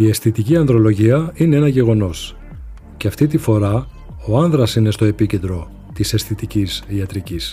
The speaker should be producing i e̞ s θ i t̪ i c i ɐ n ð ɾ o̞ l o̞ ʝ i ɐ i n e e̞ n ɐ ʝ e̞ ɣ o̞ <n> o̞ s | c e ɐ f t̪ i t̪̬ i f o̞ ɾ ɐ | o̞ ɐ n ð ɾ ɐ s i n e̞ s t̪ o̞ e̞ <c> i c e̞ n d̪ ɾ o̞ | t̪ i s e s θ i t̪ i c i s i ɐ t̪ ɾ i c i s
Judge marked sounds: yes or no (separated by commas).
yes, no